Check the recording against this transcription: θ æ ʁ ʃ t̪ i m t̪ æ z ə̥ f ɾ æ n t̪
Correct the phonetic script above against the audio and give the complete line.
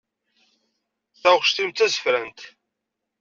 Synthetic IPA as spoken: θ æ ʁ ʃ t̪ i m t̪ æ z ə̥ f ɾ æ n t̪